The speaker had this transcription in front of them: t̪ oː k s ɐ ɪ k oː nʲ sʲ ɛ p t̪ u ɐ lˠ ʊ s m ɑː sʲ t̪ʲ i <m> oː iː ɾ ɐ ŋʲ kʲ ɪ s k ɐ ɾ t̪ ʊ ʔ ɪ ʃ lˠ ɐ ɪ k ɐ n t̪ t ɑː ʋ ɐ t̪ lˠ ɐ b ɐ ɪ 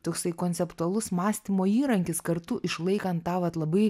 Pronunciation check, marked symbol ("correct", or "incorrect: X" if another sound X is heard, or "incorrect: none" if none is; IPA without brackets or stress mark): correct